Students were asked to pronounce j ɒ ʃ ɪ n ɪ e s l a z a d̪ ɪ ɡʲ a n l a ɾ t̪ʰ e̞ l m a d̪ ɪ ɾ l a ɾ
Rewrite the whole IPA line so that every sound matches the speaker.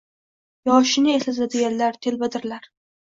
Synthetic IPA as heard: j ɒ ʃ ɪ n ɪ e s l a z a d̪ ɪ ɡʲ a n l a ɾ t̪ʰ e̞ l b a d̪ ɪ ɾ l a ɾ